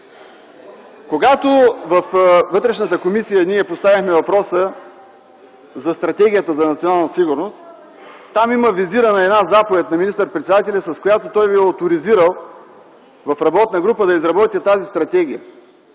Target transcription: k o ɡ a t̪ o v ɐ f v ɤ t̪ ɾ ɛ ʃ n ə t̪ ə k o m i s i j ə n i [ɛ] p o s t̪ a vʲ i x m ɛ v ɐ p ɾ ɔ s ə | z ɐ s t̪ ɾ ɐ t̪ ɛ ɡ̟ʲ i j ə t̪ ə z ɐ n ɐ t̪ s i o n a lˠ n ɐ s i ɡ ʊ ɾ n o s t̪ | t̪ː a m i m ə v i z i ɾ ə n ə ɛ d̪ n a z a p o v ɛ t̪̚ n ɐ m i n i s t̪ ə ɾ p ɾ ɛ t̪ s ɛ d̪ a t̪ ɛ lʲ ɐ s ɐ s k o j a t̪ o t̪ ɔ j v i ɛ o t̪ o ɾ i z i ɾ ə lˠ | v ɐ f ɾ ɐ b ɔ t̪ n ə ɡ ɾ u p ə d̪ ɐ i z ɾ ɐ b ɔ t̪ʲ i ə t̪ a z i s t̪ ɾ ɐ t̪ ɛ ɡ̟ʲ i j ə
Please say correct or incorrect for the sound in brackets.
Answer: correct